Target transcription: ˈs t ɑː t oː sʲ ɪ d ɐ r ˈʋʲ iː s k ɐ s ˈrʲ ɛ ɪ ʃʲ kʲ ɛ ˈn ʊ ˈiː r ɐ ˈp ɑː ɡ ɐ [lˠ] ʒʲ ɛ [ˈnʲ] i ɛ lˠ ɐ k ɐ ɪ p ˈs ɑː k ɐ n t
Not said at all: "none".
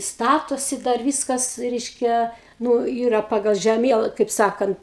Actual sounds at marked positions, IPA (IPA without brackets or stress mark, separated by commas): lˠ, mʲ